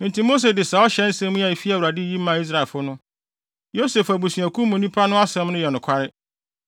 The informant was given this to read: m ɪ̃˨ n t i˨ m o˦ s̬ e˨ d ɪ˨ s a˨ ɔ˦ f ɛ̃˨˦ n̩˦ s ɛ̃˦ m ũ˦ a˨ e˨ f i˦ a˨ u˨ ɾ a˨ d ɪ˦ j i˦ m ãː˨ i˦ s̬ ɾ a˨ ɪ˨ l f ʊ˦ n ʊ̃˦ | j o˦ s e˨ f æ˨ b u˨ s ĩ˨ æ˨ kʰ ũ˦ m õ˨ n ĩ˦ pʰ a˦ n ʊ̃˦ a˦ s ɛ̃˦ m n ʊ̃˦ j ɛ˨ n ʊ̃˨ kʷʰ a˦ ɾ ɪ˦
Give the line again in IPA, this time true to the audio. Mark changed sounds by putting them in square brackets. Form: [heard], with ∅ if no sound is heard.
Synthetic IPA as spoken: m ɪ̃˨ n t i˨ m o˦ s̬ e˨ d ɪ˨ s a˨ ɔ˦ [ɕ] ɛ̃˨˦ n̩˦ s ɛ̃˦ m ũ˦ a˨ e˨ f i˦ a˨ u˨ ɾ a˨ d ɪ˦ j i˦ m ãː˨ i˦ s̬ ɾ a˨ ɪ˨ l f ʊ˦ n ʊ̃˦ | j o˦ s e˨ f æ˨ b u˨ s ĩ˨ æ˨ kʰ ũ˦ m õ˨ n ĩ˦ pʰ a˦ n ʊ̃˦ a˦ s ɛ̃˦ m n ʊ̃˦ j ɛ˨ n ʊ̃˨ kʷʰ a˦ ɾ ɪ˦